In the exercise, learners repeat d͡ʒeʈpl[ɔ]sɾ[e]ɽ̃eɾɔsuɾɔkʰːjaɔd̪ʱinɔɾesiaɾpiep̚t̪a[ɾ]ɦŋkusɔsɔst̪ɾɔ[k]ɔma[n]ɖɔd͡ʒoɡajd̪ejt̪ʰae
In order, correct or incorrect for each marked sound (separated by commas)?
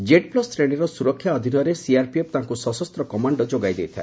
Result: correct, correct, incorrect, correct, incorrect